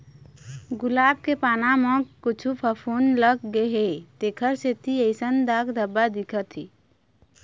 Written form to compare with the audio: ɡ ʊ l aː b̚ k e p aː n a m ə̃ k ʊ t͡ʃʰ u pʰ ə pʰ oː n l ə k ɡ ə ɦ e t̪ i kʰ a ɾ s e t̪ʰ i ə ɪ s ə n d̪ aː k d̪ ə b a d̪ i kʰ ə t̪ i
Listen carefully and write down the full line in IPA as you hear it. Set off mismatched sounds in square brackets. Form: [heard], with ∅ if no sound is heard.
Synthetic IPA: ɡ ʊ l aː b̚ k e p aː n a m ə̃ k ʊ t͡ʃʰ u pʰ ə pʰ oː n l ə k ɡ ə ɦ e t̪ [e] kʰ [ə] ɾ s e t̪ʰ i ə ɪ s ə n d̪ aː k d̪ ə b a d̪ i kʰ ə t̪ i